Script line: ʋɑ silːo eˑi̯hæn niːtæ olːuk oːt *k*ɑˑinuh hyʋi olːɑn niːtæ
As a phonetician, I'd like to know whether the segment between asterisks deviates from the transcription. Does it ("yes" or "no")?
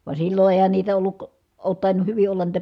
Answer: yes